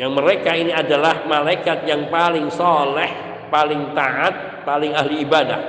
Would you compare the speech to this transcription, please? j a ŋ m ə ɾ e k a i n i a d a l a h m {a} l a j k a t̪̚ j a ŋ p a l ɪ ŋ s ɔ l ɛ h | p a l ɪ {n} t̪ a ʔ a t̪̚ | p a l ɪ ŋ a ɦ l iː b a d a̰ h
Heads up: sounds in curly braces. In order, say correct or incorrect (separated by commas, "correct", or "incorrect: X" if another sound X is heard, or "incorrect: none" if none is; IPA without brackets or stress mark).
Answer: correct, incorrect: ŋ